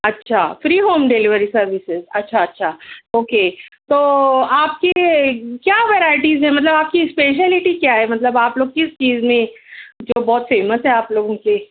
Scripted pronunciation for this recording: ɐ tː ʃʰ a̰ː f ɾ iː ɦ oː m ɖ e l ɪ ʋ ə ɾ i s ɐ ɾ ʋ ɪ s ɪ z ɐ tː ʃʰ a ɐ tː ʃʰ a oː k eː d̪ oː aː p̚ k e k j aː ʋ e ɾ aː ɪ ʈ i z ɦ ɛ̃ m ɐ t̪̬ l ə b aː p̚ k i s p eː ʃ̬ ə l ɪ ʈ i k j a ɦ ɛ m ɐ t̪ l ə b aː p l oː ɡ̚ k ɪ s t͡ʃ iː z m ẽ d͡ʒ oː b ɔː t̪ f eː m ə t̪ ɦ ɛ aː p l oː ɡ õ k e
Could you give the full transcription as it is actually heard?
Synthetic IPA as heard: ɐ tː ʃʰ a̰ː f ɾ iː ɦ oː m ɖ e l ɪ ʋ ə ɾ i s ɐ ɾ ʋ ɪ s ɪ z ɐ tː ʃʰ a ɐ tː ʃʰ a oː k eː t̪ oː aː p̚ k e k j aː ʋ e ɾ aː ɪ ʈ i z ɦ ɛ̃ m ɐ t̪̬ l ə b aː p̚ k i s p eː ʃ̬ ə l ɪ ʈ i k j a ɦ ɛ m ɐ t̪ l ə b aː p l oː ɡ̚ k ɪ s t͡ʃ iː z m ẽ d͡ʒ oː b ɔː t̪ f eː m ə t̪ ɦ ɛ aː p l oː ɡ õ k e